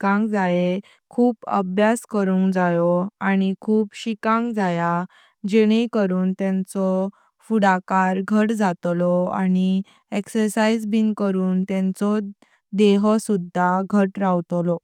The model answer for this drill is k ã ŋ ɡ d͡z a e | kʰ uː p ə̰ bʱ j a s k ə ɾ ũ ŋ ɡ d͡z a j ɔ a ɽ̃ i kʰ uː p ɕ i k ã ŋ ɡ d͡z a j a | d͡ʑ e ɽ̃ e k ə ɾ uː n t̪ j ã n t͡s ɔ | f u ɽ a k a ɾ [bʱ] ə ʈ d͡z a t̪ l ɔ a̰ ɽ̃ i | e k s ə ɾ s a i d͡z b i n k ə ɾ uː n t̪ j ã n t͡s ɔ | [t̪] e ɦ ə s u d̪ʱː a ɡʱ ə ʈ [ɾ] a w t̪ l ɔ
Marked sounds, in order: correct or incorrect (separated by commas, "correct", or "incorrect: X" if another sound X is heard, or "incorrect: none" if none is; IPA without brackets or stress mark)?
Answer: incorrect: ɡʱ, incorrect: d̪, correct